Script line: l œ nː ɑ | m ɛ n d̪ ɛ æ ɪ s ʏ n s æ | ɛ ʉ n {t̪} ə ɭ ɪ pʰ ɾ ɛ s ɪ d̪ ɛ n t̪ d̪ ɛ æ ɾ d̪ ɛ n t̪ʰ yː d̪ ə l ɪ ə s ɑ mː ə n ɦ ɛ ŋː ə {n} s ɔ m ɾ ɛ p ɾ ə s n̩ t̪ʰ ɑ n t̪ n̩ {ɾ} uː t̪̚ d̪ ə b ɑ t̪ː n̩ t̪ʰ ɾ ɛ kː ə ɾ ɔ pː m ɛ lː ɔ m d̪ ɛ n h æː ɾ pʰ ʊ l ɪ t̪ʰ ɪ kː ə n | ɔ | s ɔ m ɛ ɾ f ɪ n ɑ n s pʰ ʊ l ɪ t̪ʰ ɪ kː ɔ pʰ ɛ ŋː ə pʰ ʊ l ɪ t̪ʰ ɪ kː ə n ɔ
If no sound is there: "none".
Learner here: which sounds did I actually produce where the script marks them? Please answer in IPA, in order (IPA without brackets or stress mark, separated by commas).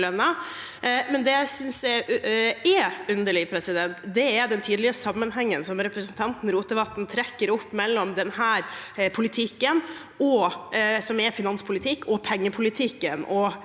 d̪, n, ɾ